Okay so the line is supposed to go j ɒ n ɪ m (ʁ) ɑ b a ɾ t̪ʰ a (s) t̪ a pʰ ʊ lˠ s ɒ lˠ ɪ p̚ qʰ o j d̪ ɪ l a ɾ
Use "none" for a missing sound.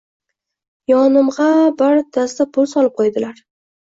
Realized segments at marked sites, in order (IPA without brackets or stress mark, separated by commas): ʁ, s